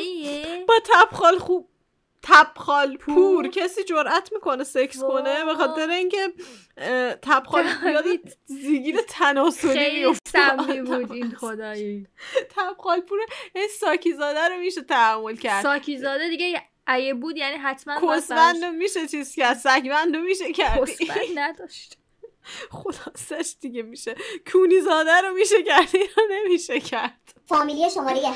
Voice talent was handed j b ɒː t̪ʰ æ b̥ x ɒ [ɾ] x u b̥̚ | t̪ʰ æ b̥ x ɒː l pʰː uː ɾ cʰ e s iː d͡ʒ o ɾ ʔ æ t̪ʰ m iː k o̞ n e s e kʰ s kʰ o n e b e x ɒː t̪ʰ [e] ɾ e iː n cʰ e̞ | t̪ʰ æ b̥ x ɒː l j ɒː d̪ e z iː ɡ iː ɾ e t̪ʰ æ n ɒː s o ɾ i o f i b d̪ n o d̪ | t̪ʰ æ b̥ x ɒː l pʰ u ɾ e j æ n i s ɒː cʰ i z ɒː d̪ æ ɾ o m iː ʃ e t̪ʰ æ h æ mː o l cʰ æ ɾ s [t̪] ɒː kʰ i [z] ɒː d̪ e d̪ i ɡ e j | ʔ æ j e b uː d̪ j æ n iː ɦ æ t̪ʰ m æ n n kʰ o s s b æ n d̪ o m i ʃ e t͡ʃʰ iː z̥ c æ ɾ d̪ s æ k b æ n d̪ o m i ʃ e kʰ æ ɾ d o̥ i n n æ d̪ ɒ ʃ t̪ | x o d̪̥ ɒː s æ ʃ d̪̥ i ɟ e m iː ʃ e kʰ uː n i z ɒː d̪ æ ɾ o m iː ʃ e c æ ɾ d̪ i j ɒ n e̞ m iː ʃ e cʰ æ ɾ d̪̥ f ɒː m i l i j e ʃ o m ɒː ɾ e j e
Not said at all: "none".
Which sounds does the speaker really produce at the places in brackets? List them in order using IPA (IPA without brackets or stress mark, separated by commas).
l, e, d̪, z